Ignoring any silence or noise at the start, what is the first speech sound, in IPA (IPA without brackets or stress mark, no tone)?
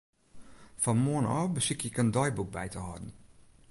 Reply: f